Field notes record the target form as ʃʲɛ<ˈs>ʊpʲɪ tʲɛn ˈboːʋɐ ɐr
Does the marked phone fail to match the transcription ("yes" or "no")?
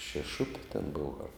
yes